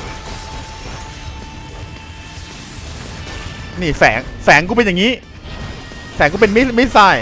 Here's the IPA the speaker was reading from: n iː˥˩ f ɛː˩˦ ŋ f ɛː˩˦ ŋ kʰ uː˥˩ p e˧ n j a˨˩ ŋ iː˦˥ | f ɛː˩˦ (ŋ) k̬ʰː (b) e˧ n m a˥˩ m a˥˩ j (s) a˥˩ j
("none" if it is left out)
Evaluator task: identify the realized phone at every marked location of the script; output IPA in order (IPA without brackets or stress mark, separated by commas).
ŋ, p, s